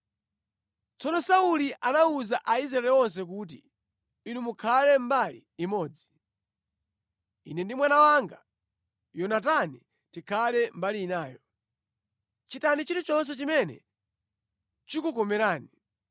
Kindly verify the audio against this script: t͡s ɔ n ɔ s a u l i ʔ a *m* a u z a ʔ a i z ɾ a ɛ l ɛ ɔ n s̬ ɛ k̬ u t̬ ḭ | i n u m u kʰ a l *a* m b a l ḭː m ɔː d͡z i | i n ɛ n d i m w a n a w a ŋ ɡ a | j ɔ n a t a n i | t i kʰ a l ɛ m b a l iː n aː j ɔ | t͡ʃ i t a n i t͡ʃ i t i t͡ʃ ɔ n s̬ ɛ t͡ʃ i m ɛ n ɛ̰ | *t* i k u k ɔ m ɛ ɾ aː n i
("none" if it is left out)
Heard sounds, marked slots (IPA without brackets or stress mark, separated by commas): n, ɛ, t͡ʃ